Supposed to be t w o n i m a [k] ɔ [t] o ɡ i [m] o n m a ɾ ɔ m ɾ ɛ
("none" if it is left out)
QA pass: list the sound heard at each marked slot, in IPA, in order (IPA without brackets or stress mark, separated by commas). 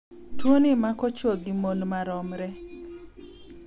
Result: k, t͡ʃ, m